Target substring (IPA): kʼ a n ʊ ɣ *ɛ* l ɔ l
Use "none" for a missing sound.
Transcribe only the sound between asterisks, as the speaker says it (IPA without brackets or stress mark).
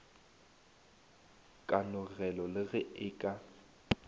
ɛ